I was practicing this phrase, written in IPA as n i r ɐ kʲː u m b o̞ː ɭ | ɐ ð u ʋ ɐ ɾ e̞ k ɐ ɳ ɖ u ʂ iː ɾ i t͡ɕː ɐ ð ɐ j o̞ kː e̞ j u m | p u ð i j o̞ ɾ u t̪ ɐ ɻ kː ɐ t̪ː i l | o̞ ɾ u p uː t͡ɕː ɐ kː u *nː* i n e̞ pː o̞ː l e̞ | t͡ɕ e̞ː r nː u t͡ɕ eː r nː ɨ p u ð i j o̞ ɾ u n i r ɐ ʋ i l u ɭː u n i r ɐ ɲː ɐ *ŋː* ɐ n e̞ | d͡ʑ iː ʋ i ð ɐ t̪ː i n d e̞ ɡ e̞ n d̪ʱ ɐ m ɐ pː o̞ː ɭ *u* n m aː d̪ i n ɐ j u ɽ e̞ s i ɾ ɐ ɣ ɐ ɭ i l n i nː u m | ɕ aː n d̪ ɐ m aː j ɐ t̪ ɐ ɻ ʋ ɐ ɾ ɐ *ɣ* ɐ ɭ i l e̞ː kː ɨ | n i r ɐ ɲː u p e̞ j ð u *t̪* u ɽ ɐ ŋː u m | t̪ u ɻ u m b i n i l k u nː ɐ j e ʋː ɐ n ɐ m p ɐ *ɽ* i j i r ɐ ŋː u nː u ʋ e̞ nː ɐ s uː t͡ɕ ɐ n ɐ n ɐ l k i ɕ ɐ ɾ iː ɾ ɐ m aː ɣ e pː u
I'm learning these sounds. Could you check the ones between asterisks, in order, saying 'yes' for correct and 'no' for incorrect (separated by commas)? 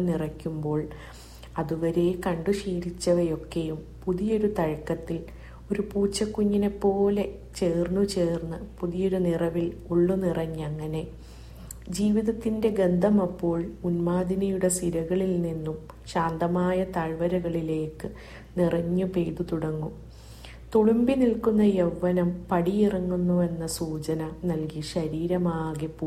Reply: no, yes, yes, yes, yes, yes